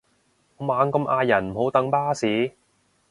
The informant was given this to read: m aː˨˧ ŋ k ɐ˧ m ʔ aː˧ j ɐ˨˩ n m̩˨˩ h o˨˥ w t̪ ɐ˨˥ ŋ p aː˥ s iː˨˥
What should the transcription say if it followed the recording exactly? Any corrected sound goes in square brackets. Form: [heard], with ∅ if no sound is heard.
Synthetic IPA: m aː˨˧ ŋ k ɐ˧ m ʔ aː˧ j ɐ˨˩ n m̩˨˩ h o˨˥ w t̪ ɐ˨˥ ŋ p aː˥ s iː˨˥

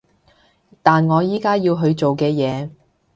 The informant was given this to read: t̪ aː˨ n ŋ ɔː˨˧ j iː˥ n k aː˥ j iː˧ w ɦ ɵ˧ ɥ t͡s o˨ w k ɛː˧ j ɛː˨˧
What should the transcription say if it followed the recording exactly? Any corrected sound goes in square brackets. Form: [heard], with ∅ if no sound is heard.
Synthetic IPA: t̪ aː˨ n ŋ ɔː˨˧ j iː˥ [∅] k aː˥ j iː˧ w ɦ ɵ˧ ɥ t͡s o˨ w k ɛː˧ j ɛː˨˧

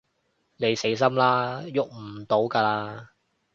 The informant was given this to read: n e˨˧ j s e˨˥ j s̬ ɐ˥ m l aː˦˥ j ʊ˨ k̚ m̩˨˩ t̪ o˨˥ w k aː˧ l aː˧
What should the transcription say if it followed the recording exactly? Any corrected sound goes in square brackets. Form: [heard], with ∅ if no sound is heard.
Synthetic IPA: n e˨˧ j s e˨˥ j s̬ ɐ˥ m l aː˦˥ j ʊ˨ k̚ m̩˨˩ t̪ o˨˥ w k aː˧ l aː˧

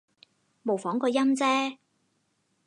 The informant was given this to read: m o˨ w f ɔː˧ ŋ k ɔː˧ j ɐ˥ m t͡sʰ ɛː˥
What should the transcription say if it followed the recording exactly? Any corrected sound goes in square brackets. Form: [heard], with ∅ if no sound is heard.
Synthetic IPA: m o˨ w f [ɔː˨˥] ŋ k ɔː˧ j ɐ˥ m [t͡s] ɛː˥

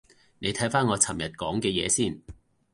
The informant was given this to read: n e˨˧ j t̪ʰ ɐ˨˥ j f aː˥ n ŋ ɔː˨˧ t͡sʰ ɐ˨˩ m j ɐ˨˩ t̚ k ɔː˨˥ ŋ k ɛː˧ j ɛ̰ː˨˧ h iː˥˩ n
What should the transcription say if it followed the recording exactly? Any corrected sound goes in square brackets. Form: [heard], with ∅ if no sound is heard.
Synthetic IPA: n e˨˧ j t̪ʰ ɐ˨˥ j f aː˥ n ŋ ɔː˨˧ t͡sʰ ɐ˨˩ m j ɐ˨˩ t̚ k ɔː˨˥ ŋ k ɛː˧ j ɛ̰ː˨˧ [s] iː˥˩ n

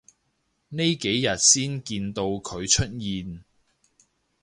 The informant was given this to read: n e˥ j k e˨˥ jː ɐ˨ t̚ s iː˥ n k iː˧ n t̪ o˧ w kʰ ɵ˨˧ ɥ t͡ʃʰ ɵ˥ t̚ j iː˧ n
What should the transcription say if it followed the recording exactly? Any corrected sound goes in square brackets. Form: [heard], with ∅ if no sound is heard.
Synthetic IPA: n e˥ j k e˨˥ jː ɐ˨ t̚ s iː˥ n k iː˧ n t̪ o˧ w kʰ ɵ˨˧ ɥ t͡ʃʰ ɵ˥ t̚ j iː˧ n

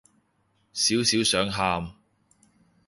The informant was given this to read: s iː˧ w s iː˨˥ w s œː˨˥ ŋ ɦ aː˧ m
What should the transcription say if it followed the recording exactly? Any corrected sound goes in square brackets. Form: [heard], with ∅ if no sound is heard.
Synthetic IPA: s [iː˨˥] w s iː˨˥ w s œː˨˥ ŋ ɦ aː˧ m

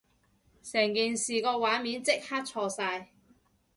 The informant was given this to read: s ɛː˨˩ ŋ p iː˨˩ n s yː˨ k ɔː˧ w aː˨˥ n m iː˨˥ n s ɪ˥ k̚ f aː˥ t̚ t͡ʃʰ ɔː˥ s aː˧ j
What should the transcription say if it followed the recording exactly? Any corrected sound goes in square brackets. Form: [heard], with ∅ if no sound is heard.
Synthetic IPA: s ɛː˨˩ ŋ [k] iː˨˩ n s [iː˨] k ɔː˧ w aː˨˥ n m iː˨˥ n [t͡s] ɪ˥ k̚ [h] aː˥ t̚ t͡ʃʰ [ɔː˧] s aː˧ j

